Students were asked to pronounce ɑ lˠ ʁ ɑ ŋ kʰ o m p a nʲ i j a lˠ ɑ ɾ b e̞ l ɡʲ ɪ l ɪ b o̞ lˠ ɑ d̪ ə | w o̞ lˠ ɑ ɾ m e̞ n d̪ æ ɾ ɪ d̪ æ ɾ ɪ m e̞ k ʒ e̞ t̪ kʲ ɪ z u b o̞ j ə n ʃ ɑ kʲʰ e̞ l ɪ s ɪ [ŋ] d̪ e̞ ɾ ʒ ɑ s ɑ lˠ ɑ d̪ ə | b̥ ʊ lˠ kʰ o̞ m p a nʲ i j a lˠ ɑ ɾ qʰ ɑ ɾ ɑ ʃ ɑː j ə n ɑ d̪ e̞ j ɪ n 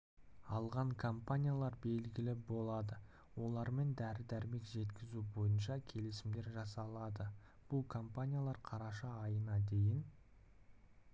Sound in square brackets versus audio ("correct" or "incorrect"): incorrect